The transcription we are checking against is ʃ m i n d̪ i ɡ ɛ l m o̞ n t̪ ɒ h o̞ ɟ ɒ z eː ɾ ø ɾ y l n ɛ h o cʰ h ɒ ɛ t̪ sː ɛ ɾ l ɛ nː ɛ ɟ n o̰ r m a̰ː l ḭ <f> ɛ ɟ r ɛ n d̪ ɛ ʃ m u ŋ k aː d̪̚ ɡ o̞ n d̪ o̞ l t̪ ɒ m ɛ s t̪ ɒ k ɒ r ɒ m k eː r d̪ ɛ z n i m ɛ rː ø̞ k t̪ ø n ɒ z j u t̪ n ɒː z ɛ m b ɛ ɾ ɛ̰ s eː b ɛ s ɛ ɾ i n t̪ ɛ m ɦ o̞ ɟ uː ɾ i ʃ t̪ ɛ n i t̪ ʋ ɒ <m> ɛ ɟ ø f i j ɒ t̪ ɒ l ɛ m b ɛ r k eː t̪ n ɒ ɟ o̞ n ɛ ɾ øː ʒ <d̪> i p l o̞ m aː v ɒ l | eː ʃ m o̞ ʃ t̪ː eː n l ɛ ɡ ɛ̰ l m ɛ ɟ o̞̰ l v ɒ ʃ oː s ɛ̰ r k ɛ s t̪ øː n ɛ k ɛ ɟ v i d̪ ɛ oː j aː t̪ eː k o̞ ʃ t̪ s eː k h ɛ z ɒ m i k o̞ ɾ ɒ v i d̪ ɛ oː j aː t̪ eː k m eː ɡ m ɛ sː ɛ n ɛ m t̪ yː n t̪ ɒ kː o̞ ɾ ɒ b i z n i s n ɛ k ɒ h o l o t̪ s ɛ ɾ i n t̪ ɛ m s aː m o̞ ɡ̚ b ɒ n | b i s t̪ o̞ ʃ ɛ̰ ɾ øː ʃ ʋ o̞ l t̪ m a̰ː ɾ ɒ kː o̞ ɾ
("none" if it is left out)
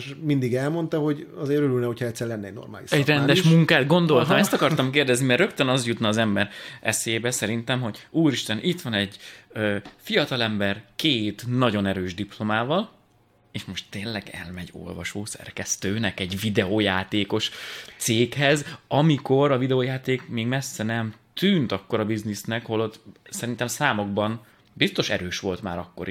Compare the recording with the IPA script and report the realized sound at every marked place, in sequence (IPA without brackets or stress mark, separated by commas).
ʃ, n, d̪